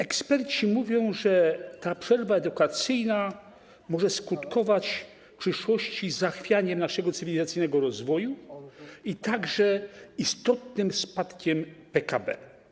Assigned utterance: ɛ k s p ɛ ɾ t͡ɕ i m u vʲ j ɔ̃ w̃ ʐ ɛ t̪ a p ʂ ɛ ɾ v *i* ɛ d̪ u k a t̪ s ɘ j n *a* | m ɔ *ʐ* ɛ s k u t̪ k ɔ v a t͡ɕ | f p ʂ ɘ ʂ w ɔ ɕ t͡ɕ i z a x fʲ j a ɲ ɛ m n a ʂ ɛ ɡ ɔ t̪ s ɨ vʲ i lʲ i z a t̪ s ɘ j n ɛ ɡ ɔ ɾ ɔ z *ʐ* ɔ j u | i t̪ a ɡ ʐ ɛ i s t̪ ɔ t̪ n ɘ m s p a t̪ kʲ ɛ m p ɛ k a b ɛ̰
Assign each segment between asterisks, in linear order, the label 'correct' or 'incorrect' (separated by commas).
incorrect, correct, correct, incorrect